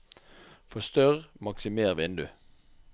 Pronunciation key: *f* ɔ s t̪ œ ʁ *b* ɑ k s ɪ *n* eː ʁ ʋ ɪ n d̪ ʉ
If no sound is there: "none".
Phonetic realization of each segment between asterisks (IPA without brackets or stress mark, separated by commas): f, m, m